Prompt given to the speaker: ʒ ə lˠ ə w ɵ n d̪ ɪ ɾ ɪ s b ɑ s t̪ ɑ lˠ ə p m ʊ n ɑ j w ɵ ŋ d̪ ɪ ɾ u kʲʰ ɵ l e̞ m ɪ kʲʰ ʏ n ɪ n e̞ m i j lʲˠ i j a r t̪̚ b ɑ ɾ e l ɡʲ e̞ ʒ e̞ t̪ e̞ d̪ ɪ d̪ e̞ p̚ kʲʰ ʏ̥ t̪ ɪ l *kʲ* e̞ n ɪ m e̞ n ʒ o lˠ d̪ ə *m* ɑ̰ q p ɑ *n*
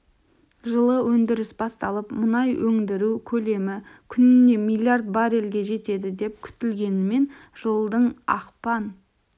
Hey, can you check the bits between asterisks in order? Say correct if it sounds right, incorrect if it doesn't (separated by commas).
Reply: incorrect, incorrect, correct